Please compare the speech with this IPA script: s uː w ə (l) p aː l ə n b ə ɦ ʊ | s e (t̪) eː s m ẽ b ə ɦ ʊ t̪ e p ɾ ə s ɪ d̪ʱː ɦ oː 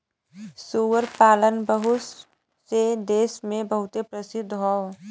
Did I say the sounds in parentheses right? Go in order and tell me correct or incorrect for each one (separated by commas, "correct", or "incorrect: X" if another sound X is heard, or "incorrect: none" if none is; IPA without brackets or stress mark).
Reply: incorrect: ɾ, incorrect: d̪